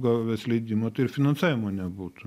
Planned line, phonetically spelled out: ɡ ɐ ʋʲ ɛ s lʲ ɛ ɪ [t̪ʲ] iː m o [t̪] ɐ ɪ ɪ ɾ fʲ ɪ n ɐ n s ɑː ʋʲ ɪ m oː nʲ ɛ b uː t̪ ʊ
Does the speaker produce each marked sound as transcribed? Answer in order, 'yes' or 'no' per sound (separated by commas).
no, yes